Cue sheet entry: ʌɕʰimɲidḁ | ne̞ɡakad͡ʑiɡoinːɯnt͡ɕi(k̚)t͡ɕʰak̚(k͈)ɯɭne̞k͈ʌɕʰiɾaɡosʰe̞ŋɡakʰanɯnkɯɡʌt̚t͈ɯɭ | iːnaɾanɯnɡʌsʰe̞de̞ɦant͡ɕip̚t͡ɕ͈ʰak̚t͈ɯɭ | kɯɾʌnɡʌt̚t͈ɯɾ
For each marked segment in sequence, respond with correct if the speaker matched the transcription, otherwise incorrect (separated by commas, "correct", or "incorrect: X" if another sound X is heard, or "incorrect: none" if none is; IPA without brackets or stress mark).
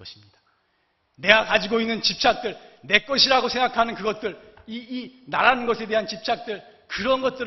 incorrect: p̚, incorrect: t͈